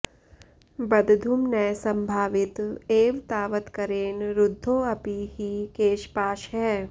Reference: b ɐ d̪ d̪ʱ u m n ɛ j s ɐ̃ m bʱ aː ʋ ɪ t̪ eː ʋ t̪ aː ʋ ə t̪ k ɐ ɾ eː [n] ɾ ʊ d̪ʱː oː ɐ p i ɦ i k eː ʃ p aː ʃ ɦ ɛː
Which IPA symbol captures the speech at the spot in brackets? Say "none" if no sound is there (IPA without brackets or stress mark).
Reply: n